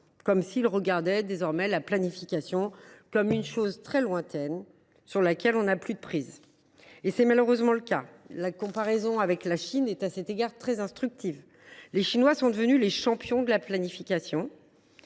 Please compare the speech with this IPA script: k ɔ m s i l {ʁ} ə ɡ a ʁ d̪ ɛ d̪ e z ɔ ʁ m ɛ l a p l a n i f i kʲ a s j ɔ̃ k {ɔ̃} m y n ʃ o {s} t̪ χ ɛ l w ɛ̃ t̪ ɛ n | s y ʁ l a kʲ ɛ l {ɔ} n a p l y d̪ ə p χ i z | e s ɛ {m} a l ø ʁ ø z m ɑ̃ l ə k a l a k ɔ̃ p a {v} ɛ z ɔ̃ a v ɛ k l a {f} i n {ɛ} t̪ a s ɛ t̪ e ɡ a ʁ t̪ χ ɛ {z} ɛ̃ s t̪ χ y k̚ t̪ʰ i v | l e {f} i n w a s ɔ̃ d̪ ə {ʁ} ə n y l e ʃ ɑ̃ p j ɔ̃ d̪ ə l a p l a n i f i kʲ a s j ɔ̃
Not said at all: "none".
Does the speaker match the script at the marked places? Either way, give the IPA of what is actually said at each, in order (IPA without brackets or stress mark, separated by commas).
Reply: ʁ, ɔ, z, ɔ̃, m, ʁ, ʃ, ɛ, z, ʃ, v